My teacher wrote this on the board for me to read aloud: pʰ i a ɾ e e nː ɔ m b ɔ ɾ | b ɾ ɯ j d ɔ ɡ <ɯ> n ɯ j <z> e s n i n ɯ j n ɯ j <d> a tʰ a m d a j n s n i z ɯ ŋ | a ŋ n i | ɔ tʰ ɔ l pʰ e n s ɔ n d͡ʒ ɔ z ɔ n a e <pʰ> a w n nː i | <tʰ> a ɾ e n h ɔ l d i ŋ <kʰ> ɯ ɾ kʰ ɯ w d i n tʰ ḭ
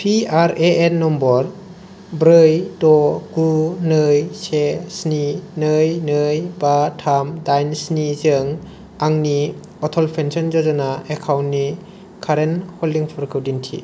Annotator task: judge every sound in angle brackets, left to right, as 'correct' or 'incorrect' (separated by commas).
incorrect, incorrect, incorrect, incorrect, incorrect, incorrect